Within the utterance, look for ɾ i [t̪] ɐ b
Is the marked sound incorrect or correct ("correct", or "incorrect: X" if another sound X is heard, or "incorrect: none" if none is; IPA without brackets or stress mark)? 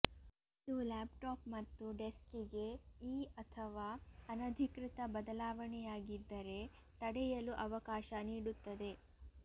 correct